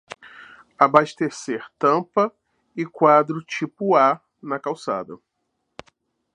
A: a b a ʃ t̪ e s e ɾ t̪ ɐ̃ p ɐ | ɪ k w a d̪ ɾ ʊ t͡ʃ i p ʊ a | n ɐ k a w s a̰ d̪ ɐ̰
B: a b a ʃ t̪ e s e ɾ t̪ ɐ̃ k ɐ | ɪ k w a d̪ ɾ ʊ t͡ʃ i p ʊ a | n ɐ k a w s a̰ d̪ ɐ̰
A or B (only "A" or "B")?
A